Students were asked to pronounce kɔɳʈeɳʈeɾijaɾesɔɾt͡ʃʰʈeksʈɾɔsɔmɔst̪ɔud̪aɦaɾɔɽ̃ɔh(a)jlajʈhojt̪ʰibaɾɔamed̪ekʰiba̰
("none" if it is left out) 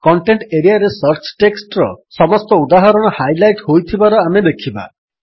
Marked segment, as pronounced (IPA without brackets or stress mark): a